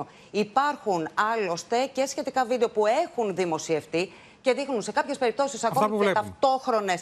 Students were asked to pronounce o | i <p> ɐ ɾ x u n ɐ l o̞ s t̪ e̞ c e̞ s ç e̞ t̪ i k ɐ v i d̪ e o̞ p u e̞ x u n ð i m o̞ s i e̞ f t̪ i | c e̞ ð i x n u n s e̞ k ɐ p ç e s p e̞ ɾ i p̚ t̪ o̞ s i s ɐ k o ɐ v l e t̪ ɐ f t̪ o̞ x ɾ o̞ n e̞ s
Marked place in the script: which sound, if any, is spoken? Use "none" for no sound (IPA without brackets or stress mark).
p